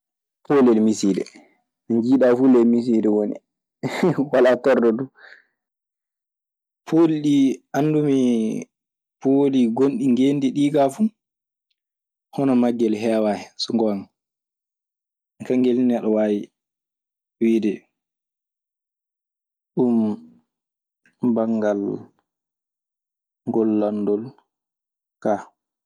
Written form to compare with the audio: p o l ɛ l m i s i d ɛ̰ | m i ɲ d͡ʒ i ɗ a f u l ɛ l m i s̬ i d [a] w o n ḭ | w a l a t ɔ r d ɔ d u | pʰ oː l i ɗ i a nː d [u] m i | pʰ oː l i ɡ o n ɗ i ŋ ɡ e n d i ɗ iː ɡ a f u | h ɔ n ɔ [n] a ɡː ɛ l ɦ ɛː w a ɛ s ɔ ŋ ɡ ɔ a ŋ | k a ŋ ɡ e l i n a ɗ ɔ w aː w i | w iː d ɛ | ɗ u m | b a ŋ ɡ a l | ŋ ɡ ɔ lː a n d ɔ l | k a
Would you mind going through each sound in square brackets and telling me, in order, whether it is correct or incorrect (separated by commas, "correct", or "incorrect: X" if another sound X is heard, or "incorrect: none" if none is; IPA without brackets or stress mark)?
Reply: incorrect: ɛ, correct, incorrect: m